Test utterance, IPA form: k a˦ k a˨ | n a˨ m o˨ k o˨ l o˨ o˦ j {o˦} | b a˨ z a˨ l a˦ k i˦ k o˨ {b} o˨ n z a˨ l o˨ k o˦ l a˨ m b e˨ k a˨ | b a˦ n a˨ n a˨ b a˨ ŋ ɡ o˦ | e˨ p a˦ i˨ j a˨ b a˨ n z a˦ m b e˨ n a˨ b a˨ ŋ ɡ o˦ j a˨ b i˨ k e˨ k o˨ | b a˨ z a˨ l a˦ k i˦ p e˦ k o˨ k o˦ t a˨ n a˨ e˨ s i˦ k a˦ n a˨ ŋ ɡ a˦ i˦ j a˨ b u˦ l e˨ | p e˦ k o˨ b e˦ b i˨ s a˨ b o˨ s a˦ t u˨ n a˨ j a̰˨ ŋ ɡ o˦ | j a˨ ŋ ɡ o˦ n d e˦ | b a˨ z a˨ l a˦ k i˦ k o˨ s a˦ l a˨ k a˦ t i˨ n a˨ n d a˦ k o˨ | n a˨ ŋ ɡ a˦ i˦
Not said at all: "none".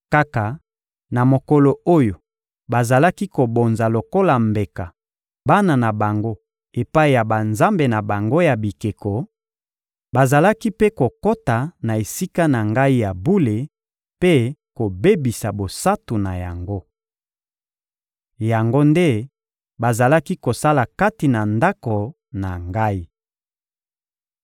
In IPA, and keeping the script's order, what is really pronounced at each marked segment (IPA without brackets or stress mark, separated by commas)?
o˨, b